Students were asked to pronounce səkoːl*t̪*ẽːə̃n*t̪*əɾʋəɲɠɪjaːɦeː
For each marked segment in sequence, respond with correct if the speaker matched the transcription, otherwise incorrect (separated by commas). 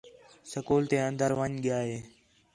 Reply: correct, incorrect